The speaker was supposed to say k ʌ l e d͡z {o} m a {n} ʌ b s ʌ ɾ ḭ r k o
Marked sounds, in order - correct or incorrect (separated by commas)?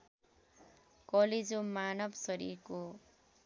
correct, correct